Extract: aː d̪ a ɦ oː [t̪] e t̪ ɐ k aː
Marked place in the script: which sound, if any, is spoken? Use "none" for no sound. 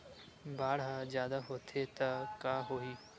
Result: t̪ʰ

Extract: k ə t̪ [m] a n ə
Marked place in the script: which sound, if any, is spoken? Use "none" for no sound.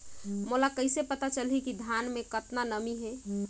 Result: n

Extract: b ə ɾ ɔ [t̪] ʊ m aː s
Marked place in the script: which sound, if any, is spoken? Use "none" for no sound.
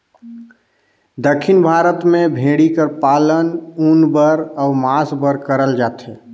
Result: none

